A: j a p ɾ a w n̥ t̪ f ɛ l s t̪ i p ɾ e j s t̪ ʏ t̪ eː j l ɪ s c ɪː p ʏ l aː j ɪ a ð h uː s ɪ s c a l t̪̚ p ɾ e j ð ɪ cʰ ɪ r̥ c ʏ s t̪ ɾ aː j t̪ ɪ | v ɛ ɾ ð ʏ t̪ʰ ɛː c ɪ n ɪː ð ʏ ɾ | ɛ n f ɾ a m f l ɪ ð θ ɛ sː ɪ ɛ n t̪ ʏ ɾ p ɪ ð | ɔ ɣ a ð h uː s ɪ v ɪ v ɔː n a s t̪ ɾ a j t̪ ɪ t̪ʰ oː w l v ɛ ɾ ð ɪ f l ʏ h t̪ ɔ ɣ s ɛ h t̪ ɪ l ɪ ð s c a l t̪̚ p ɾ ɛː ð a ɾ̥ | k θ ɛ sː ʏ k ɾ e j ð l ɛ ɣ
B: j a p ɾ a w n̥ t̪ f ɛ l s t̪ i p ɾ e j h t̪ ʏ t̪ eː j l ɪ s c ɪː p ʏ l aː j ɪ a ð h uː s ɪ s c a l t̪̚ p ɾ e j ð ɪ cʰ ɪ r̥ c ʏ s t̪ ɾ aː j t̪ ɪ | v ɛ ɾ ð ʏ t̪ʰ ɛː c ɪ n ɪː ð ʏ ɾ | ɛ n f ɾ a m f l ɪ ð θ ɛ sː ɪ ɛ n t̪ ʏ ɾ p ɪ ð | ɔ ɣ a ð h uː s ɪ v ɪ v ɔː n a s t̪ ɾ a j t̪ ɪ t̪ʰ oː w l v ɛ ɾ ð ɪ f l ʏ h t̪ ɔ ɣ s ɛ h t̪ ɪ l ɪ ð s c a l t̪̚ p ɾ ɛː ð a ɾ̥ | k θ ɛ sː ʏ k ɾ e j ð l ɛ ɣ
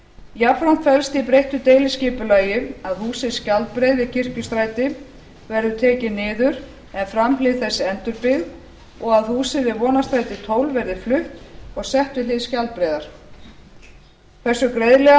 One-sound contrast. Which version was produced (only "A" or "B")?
B